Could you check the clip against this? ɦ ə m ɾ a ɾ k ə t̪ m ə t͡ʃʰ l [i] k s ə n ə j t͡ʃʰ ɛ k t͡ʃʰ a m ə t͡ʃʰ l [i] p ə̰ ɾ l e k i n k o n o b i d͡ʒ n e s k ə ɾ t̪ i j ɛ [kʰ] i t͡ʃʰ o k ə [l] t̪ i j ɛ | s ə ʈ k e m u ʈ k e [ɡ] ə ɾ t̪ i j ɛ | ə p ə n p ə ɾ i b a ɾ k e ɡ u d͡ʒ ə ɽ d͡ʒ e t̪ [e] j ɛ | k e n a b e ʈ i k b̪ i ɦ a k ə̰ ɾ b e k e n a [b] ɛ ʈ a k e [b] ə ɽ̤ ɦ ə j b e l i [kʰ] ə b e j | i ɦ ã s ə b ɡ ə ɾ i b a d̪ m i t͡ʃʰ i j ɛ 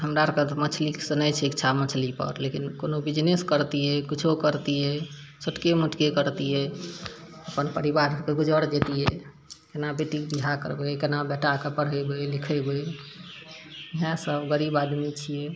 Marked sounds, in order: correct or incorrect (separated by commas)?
correct, correct, incorrect, incorrect, incorrect, incorrect, correct, incorrect, correct